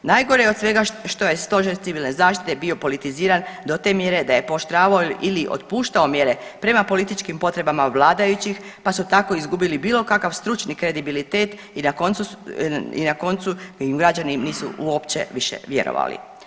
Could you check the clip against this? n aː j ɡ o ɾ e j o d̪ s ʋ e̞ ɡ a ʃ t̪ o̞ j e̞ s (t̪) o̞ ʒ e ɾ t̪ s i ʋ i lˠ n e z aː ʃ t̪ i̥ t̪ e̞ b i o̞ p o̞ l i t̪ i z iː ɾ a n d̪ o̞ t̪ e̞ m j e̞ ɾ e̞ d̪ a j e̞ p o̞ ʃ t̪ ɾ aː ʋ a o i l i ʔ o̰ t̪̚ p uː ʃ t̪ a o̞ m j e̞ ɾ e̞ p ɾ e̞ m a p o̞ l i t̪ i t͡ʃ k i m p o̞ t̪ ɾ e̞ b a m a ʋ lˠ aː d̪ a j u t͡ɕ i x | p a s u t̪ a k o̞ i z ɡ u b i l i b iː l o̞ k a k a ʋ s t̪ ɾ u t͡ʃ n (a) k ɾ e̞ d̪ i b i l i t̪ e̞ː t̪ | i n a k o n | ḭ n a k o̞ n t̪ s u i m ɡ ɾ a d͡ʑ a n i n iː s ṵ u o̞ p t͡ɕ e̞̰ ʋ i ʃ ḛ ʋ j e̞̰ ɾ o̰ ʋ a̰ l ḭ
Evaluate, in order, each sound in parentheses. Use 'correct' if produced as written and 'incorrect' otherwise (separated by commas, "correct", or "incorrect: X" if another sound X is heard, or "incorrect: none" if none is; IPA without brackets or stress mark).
correct, incorrect: i